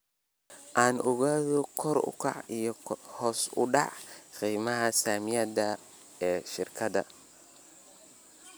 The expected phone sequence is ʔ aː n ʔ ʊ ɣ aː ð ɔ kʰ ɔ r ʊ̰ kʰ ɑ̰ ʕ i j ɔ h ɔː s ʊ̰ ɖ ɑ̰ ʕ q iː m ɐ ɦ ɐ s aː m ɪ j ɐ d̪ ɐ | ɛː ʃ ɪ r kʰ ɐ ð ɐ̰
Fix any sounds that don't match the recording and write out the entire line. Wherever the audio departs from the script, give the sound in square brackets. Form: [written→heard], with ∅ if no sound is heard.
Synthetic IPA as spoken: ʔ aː n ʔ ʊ ɣ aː ð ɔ kʰ ɔ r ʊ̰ kʰ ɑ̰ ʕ i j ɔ h ɔː s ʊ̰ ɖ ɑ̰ ʕ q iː m ɐ ɦ ɐ s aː m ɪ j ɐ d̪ ɐ | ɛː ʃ ɪ r kʰ ɐ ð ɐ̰